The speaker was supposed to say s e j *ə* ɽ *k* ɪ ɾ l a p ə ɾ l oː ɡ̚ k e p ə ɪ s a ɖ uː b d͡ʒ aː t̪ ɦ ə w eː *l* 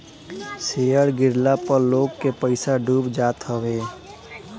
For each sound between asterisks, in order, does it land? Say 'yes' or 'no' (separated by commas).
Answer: yes, no, no